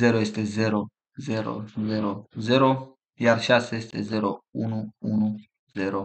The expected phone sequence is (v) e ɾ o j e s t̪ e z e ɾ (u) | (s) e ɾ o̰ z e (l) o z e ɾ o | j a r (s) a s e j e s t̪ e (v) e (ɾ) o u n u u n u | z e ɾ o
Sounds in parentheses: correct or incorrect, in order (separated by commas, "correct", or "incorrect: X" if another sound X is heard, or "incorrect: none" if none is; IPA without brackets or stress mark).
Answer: incorrect: z, incorrect: o, incorrect: z, incorrect: ɾ, incorrect: ʃ, incorrect: z, correct